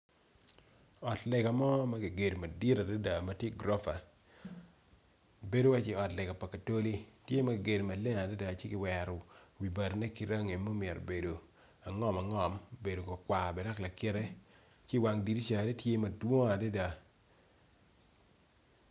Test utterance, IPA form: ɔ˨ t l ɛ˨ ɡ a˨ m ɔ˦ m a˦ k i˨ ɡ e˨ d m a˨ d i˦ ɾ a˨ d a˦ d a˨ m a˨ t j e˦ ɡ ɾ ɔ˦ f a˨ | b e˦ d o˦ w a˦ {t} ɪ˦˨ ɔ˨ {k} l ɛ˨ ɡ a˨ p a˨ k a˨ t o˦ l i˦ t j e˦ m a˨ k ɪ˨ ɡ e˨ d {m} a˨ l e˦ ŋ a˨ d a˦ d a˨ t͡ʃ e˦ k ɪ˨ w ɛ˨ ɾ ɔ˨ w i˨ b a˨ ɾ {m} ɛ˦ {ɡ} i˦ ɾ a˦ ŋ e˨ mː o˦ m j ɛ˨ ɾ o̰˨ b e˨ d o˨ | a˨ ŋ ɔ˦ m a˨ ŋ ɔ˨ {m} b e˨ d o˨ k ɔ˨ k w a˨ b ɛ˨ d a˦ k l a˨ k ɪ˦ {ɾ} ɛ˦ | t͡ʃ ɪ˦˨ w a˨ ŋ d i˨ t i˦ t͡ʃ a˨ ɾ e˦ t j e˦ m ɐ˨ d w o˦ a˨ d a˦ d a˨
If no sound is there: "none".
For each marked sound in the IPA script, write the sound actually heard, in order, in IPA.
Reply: t͡ʃ, t, m, n, k, m, ɾ

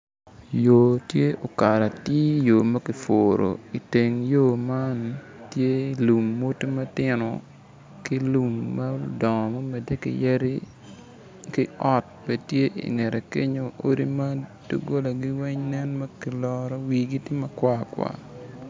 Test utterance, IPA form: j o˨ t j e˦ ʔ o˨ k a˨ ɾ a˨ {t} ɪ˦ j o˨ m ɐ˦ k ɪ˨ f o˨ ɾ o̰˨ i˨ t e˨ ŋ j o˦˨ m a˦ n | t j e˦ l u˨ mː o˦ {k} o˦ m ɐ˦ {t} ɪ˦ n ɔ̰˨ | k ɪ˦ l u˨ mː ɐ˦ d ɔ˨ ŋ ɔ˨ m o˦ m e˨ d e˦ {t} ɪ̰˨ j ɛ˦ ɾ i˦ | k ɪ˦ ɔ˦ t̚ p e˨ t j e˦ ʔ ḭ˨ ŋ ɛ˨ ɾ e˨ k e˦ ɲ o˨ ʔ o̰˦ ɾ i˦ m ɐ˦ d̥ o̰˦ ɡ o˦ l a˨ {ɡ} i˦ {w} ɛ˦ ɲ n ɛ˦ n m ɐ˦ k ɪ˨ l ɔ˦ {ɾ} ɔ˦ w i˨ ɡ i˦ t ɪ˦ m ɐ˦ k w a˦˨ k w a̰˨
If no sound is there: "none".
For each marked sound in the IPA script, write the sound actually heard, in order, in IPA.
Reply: t, t, t, k, ɡ, w, ɾ

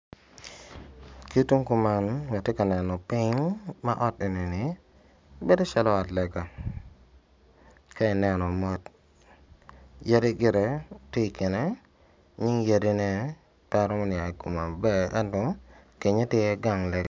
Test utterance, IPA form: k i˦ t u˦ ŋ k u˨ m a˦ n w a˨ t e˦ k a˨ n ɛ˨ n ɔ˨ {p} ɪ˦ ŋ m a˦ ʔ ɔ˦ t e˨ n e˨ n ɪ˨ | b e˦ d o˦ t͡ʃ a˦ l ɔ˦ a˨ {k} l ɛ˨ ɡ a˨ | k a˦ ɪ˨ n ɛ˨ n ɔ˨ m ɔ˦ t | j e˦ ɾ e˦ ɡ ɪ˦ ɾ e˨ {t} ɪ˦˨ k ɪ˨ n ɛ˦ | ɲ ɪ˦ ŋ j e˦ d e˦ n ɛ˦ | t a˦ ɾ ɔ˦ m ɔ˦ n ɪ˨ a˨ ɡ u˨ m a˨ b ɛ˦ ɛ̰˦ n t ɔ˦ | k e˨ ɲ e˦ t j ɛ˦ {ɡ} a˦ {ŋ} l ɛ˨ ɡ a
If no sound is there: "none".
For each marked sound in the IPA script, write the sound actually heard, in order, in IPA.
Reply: p, t, t, ɡ, ŋ

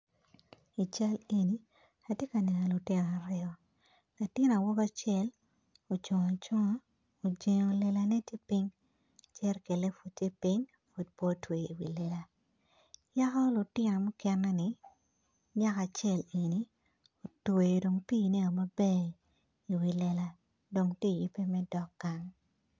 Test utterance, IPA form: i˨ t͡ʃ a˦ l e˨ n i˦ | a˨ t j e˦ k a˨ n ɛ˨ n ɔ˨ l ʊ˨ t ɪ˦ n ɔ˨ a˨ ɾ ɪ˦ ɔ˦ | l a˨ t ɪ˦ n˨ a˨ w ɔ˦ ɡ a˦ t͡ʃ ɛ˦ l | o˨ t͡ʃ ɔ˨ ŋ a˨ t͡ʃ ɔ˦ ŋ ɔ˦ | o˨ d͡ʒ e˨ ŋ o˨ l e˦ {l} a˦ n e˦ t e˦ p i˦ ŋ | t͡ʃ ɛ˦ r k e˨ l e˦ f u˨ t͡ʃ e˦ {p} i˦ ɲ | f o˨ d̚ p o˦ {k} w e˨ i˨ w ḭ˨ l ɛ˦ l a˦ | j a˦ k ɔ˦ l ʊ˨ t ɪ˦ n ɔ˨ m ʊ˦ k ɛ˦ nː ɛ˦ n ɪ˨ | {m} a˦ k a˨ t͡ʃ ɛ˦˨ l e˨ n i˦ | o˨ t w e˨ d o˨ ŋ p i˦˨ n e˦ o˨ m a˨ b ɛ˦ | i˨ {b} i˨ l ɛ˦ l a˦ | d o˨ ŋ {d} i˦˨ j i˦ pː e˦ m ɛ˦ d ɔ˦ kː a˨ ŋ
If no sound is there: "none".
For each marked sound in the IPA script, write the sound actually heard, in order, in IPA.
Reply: l, p, t, ɲ, w, t

